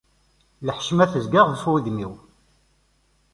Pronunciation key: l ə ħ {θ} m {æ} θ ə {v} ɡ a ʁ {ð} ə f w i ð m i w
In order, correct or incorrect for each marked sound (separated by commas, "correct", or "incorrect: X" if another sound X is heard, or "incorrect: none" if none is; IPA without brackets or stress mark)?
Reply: incorrect: ʃ, correct, incorrect: z, correct